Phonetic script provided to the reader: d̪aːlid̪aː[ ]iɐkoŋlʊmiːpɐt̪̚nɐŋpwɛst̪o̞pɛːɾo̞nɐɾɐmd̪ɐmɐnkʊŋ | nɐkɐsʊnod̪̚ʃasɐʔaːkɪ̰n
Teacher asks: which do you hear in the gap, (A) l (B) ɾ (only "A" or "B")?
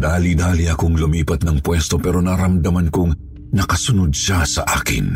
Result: A